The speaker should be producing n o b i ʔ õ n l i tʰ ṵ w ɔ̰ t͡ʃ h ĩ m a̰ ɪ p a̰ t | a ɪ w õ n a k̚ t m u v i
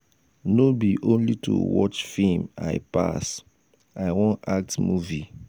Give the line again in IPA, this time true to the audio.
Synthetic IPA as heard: n o b i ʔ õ n l i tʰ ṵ w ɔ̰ t͡ʃ f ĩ m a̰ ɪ p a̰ s | a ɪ w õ n a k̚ t m u v i